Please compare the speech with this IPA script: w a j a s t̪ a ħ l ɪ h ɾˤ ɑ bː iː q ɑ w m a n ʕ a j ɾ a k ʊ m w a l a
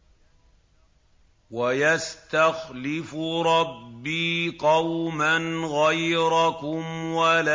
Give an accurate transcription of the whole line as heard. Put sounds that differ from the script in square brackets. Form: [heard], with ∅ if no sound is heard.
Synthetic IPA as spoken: w a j a s t̪ a [x] l ɪ [f] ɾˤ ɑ bː iː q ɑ w m a n [ɣ] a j ɾ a k ʊ m w a l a